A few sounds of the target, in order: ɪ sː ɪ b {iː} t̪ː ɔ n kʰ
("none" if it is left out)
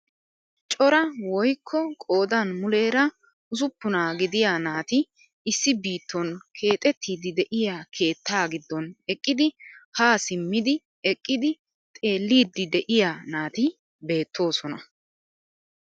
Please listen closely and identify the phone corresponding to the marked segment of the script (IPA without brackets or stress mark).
iː